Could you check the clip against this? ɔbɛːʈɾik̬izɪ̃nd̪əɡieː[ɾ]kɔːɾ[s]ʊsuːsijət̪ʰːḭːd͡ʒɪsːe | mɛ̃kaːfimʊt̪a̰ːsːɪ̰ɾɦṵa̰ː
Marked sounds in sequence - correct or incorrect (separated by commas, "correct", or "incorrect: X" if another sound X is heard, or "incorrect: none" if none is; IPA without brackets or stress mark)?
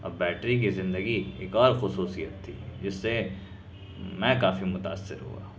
incorrect: none, incorrect: x